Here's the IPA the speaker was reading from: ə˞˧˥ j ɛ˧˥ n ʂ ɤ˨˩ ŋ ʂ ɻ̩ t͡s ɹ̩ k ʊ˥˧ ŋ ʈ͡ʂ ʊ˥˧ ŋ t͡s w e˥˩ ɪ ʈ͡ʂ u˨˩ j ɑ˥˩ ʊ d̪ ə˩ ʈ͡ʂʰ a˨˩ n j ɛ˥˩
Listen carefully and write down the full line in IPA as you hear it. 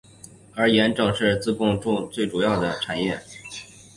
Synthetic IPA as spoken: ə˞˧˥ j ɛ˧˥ n ʈ͡ʂ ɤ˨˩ ŋ ʂ ɻ̩ t͡s ɹ̩ k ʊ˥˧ ŋ ʈ͡ʂ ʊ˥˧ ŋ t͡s w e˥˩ ɪ ʈ͡ʂ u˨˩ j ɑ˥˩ ʊ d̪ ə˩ ʈ͡ʂʰ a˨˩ n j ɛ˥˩

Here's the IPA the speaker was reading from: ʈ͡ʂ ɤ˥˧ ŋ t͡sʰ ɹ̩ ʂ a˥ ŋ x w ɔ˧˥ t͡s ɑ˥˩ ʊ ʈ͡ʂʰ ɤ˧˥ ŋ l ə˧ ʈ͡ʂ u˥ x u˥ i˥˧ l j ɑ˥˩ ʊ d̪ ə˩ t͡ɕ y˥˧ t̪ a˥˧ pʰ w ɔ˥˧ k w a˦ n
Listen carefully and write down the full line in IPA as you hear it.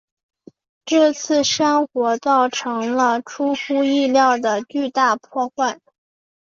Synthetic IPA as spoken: ʈ͡ʂ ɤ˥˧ t͡sʰ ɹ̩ ʂ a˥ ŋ x w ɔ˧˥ t͡s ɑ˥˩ ʊ ʈ͡ʂʰ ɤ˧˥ ŋ l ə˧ ʈ͡ʂʰ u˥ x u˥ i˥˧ l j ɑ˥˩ ʊ d̪ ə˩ t͡ɕ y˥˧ t̪ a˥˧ pʰ w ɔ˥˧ x w a˥˩ n

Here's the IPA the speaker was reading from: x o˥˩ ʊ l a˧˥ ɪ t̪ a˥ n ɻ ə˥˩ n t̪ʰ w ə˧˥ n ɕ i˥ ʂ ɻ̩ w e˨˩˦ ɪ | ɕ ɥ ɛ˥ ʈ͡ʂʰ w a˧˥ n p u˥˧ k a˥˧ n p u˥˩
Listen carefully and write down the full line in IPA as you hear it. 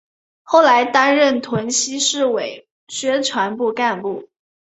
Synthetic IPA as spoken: x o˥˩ ʊ l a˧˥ ɪ t̪ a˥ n ɻ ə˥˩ n t̪ʰ w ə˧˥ n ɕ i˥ ʂ ɻ̩ w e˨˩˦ ɪ | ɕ ɥ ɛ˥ ʈ͡ʂʰ w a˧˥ n p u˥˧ k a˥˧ n p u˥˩

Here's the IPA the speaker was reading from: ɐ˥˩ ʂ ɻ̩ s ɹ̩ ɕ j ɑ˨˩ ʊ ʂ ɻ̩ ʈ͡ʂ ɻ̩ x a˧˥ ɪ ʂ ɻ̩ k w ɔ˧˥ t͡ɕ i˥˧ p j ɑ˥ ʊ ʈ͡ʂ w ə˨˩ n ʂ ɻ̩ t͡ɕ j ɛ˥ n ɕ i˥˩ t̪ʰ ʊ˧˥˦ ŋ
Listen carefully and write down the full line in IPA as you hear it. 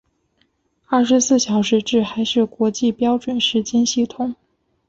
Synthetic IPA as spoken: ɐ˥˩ ʂ ɻ̩ s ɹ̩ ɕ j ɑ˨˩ ʊ ʂ ɻ̩ ʈ͡ʂ ɻ̩ x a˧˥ ɪ ʂ ɻ̩ k w ɔ˧˥ t͡ɕ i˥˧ p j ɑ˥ ʊ ʈ͡ʂ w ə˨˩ n ʂ ɻ̩ t͡ɕ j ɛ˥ n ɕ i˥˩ t̪ʰ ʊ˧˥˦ ŋ

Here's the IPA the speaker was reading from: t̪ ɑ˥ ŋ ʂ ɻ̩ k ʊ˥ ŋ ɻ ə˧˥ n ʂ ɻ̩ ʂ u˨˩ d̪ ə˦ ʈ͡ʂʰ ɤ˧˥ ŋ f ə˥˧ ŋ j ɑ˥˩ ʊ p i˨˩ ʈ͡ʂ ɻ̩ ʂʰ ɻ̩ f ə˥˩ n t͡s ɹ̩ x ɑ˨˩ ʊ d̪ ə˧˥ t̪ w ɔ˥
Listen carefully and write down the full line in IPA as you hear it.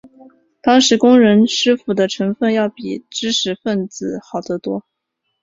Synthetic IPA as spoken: t̪ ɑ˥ ŋ ʂ ɻ̩ k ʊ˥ ŋ ɻ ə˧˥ n ʂ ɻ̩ f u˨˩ d̪ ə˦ ʈ͡ʂʰ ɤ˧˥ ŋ f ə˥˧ n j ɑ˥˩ ʊ p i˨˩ ʈ͡ʂ ɻ̩ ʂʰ ɻ̩ f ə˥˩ n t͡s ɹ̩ x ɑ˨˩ ʊ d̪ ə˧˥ t̪ w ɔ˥

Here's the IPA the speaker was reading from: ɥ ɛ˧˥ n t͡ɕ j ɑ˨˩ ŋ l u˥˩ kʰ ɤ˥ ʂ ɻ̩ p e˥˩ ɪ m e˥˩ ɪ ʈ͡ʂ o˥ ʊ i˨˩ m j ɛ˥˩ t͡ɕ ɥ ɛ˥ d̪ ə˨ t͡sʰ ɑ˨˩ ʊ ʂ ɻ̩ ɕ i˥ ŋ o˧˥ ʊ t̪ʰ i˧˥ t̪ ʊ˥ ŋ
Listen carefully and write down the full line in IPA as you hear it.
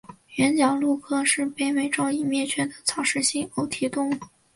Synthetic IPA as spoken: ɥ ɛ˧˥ n t͡ɕ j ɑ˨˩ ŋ l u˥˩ kʰ ɤ˥ ʂ ɻ̩ p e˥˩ ɪ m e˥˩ ɪ ʈ͡ʂ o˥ ʊ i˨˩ m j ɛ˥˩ t͡ɕʰ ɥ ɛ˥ d̪ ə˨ t͡sʰ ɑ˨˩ ʊ ʂ ɻ̩ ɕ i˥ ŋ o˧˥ ʊ t̪ʰ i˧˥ t̪ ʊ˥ ŋ

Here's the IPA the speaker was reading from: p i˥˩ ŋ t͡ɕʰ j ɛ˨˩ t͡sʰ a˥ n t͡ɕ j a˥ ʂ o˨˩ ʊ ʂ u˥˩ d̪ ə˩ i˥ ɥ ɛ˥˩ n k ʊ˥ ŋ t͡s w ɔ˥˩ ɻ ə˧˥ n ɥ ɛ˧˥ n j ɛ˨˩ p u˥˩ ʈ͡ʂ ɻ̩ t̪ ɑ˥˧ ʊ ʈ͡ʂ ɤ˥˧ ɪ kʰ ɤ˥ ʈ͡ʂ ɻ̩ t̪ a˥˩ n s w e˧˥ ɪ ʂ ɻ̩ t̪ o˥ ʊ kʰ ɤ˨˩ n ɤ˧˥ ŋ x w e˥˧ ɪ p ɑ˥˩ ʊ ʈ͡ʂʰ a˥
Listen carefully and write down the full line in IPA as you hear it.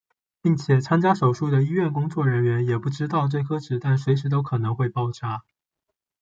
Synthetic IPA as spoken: p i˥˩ ŋ t͡ɕʰ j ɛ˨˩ t͡sʰ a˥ n t͡ɕ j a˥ ʂ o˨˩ ʊ ʂ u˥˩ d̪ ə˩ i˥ ɥ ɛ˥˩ n k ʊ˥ ŋ t͡s w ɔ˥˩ ɻ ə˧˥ n ɥ ɛ˧˥ n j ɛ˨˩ p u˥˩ ʈ͡ʂ ɻ̩ t̪ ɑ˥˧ ʊ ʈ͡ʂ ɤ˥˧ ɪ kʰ ɤ˥ ʈ͡ʂ ɻ̩ t̪ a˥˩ n s w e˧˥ ɪ ʂ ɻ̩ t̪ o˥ ʊ kʰ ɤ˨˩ n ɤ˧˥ ŋ x w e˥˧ ɪ p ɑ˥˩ ʊ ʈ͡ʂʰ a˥

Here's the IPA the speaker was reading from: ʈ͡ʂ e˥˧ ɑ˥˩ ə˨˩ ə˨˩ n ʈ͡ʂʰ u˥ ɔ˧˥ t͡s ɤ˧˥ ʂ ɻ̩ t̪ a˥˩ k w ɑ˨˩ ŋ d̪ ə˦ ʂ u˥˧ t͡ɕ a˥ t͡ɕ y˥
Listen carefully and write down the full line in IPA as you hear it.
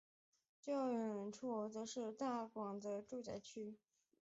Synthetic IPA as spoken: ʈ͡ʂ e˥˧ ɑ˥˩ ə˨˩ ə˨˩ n ʈ͡ʂʰ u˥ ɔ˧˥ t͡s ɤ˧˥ ʂ ɻ̩ t̪ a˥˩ k w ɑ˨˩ ŋ d̪ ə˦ ʈ͡ʂ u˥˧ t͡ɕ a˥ t͡ɕʰ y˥

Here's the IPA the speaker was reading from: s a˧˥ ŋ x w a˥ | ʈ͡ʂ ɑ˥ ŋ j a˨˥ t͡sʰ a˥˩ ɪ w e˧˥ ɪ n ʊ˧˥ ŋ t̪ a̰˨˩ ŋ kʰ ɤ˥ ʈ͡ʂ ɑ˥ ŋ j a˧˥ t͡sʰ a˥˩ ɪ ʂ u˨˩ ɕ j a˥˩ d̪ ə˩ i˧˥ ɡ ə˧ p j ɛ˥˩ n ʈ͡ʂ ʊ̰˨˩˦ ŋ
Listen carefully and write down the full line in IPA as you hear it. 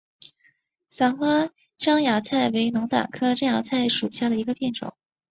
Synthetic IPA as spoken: s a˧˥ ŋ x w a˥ | ʈ͡ʂ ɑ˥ ŋ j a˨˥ t͡sʰ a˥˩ ɪ w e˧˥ ɪ n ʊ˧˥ ŋ t̪ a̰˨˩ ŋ kʰ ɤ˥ ʈ͡ʂ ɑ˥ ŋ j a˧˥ t͡sʰ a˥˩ ɪ ʂ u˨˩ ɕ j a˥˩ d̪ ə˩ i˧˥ ɡ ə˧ p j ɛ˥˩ n ʈ͡ʂ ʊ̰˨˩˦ ŋ

